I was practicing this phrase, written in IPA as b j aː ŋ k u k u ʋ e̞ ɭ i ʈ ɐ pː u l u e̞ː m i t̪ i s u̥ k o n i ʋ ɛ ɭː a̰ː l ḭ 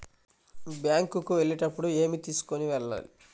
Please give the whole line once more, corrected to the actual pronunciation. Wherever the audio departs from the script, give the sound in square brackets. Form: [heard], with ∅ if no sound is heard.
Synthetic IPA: b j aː ŋ k u k u ʋ e̞ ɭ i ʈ ɐ pː u [ɽ] u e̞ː m i t̪ [iː] s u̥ k o n i ʋ ɛ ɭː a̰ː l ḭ